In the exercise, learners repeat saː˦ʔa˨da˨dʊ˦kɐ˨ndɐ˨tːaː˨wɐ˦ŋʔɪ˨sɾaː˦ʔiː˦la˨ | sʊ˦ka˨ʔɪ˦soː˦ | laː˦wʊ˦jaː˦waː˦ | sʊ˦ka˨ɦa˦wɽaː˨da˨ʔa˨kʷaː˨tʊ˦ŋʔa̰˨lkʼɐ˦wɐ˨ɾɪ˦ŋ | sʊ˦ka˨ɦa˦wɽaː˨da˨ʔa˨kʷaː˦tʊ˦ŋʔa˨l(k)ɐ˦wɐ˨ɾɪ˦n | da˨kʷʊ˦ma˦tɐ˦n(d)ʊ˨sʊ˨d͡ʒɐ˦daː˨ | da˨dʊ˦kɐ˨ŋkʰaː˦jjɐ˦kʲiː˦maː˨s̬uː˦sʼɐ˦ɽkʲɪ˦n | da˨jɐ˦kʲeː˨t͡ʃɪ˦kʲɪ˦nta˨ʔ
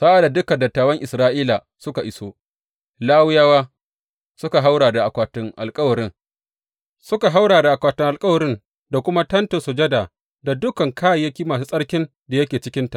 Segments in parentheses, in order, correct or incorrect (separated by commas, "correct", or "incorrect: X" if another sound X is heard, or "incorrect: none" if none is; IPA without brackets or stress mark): incorrect: kʼ, incorrect: t